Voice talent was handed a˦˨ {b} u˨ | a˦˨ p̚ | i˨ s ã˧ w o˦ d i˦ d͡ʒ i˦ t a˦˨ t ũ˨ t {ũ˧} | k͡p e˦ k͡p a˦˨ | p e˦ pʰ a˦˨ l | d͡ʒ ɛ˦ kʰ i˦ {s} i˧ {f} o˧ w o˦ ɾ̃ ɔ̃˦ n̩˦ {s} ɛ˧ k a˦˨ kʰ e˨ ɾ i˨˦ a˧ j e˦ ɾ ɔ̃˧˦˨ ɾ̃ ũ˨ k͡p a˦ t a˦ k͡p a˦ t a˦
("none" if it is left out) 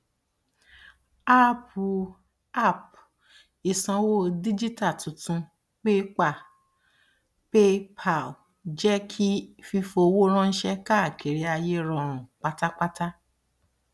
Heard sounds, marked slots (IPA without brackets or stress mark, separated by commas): p, ũ˧, f, f, ʃ